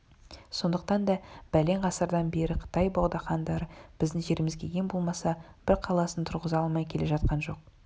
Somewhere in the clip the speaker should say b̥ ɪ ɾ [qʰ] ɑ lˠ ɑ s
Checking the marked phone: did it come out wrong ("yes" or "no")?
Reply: no